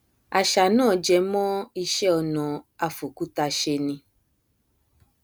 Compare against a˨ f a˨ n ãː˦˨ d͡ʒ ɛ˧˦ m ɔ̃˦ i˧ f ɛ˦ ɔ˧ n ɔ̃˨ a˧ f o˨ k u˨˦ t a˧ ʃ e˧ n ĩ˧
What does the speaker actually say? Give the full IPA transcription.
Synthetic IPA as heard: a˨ ʃ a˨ n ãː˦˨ d͡ʒ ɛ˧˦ m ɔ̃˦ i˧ ʃ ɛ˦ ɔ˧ n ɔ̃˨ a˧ f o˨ k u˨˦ t a˧ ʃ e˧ n ĩ˧